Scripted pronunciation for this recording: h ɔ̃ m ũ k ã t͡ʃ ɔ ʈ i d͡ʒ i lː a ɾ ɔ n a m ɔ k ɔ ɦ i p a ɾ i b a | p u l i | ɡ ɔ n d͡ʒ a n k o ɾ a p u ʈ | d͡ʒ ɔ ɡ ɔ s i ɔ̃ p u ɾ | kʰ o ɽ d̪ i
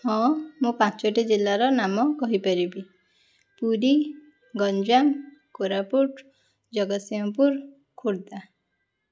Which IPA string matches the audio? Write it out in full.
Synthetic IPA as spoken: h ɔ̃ m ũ p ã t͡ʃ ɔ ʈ i d͡ʒ i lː a ɾ ɔ n a m ɔ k ɔ ɦ i p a ɾ i b i | p u ɾ i | ɡ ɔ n d͡ʒ a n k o ɾ a p u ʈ | d͡ʒ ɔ ɡ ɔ s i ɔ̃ p u ɾ | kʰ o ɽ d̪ a

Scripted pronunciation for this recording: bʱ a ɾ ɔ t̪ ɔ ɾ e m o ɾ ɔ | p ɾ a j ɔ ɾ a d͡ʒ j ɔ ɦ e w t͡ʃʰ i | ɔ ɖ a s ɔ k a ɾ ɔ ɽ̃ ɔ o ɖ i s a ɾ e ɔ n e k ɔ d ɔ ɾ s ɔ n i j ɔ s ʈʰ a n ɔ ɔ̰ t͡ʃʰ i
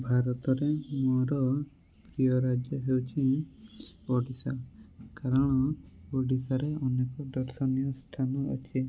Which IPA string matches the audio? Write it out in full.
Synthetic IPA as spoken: bʱ a ɾ ɔ t̪ ɔ ɾ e m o ɾ ɔ | p ɾ i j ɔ ɾ a d͡ʒ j ɔ ɦ e w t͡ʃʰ i | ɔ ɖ i s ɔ k a ɾ ɔ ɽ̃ ɔ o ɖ i s a ɾ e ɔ n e k ɔ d ɔ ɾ s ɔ n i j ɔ s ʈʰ a n ɔ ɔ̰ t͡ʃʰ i

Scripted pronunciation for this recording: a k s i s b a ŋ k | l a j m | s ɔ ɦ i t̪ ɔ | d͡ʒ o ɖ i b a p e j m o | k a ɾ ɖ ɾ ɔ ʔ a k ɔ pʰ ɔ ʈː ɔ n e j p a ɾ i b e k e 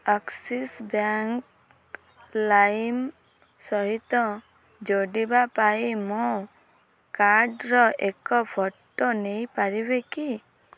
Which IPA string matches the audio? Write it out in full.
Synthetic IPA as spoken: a k s i s b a ŋ k | l a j m | s ɔ ɦ i t̪ ɔ | d͡ʒ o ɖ i b a p a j m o | k a ɾ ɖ ɾ ɔ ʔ e k ɔ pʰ ɔ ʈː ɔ n e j p a ɾ i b e k i

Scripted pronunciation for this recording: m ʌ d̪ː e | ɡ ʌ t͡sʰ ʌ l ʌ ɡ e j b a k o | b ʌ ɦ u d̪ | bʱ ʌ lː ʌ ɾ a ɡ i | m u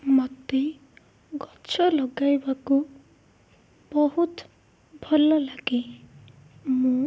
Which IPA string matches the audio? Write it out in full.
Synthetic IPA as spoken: m ʌ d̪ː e | ɡ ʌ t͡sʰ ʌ l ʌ ɡ a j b a k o | b ʌ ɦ u t̪ | bʱ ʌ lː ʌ l a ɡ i | m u

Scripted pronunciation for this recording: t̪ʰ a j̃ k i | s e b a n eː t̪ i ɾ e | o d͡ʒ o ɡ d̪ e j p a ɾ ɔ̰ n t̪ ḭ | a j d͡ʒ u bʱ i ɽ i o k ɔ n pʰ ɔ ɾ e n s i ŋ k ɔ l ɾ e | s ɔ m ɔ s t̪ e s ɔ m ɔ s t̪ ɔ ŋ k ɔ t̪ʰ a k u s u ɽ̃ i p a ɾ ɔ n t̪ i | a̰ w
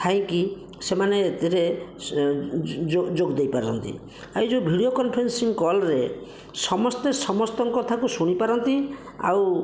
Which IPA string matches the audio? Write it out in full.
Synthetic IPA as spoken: t̪ʰ a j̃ k i | s e m a n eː t̪ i ɾ e | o d͡ʒ o ɡ d̪ e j p a ɾ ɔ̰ n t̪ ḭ | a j d͡ʒ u bʱ i ɽ i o k ɔ n pʰ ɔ ɾ e n s i ŋ k ɔ l ɾ e | s ɔ m ɔ s t̪ e s ɔ m ɔ s t̪ ɔ ŋ k ɔ t̪ʰ a k u s u ɽ̃ i p a ɾ ɔ n t̪ i | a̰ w

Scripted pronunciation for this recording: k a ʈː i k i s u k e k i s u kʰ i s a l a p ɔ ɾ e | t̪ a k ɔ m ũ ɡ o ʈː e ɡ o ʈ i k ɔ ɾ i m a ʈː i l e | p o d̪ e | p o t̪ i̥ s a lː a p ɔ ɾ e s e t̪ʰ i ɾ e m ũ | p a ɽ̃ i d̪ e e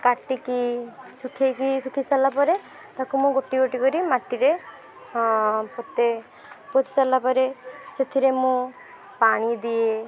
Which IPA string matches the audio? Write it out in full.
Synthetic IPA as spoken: k a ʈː i k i s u kʰ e k i s u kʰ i s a l a p ɔ ɾ e | t̪ a k u m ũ ɡ o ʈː i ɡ o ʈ i k ɔ ɾ i m a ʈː i ɾ e | p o t̪ e | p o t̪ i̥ s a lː a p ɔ ɾ e s e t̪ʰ i ɾ e m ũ | p a ɽ̃ i d̪ i e

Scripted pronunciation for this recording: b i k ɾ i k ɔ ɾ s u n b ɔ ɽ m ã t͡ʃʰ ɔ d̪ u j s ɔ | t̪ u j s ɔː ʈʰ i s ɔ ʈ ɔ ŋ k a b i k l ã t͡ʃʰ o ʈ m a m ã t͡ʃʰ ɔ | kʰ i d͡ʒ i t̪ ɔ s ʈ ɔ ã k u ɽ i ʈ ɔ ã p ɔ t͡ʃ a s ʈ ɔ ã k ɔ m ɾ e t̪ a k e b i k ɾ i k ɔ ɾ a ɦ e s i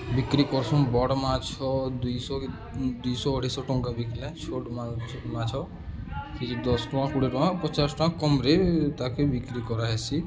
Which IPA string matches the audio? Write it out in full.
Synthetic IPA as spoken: b i k ɾ i k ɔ ɾ s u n b ɔ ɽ m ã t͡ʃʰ ɔ d̪ u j s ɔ | d̪ u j s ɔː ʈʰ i s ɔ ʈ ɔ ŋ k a b i k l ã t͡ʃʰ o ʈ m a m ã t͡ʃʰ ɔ | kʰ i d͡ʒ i d̪ ɔ s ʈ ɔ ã k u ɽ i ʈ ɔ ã p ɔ t͡ʃ a s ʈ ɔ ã k ɔ m ɾ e t̪ a k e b i k ɾ i k ɔ ɾ a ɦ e s i

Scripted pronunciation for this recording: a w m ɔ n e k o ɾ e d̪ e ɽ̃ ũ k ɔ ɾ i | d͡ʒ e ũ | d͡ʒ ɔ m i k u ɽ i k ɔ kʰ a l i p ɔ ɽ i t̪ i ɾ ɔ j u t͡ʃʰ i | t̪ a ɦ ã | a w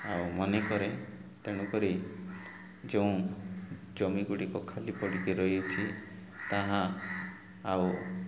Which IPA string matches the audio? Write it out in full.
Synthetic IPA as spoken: a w m ɔ n e k ɔ ɾ e t̪ e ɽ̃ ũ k ɔ ɾ i | d͡ʒ e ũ | d͡ʒ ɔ m i ɡ u ɽ i k ɔ kʰ a l i p ɔ ɽ i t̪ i ɾ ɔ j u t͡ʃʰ i | t̪ a ɦ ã | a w

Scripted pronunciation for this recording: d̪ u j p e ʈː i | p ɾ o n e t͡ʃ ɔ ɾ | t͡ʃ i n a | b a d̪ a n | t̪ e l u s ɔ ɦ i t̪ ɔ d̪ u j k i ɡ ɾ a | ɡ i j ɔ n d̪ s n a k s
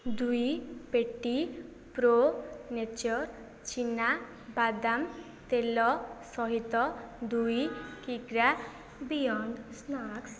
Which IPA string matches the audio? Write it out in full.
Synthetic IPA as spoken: d̪ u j p e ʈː i | p ɾ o n e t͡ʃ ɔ ɾ | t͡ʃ i n a | b a d̪ a m | t̪ e l ɔ s ɔ ɦ i t̪ ɔ d̪ u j k i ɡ ɾ a | b i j ɔ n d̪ s n a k s

